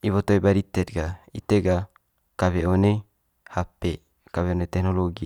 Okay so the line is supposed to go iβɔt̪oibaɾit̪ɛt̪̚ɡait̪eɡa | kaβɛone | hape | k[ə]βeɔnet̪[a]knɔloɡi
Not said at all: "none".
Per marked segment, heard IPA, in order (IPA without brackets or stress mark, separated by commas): a, ɛ